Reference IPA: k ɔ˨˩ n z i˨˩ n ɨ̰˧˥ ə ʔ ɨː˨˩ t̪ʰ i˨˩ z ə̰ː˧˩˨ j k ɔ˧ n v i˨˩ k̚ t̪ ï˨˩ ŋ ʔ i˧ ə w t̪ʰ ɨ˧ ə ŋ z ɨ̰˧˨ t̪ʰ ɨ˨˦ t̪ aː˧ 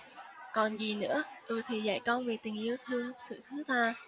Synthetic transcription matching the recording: k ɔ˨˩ n z i˨˩ n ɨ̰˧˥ ə ʔ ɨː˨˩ t̪ʰ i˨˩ z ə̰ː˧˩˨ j k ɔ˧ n v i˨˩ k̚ t̪ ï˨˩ ŋ ʔ i˧ ə w t̪ʰ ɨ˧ ə ŋ s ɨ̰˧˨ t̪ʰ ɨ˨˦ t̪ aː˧